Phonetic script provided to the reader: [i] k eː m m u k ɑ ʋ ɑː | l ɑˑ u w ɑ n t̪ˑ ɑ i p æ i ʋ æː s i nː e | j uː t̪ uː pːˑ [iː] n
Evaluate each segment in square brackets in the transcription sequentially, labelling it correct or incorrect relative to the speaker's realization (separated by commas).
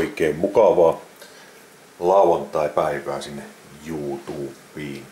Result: correct, correct